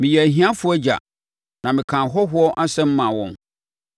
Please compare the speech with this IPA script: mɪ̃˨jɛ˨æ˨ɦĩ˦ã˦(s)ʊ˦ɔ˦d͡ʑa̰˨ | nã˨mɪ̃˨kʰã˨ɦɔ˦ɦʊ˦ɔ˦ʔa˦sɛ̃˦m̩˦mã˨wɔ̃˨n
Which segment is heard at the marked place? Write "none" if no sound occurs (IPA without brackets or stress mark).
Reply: f